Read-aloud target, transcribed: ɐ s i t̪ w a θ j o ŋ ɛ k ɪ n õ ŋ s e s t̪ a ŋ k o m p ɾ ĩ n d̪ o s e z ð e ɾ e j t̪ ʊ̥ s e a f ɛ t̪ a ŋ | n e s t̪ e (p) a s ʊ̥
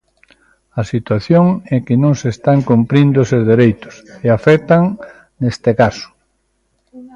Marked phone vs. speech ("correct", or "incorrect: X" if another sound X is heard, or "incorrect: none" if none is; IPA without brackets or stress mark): incorrect: k